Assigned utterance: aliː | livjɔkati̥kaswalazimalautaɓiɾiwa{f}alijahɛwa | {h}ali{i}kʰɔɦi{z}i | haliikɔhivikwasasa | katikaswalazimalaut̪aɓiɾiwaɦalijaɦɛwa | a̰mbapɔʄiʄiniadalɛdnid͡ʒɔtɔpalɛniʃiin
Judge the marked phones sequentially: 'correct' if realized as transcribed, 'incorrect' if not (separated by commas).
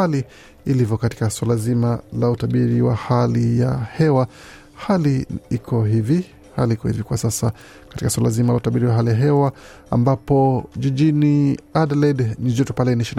incorrect, correct, correct, incorrect